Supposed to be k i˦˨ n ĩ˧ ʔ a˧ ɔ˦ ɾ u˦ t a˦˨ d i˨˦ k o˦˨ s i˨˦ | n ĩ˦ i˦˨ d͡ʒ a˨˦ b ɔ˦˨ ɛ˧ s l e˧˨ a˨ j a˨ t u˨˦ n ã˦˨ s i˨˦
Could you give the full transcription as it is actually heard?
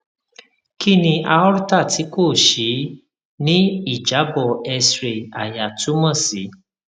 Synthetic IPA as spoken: k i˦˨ n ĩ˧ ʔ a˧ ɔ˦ ɾ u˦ t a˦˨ t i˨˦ k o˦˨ ʃ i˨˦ | n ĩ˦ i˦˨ d͡ʒ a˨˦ b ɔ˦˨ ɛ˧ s ɾ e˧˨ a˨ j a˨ t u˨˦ m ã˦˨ s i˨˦